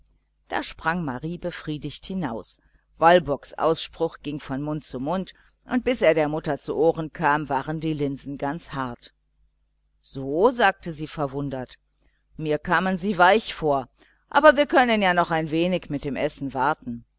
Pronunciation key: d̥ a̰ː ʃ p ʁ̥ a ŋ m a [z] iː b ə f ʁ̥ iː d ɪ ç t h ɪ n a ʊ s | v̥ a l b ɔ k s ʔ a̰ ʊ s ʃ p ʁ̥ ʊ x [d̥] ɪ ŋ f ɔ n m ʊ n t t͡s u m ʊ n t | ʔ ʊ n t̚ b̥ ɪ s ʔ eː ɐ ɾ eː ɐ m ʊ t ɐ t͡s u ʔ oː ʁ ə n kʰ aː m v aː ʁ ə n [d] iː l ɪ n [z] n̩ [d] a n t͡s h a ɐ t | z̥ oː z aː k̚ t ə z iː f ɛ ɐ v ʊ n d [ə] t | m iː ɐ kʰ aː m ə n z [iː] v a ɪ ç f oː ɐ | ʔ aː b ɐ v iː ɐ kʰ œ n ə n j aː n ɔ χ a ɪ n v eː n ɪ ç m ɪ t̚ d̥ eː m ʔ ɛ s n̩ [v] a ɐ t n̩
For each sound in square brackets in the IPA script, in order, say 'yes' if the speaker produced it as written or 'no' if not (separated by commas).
no, no, yes, yes, no, no, yes, yes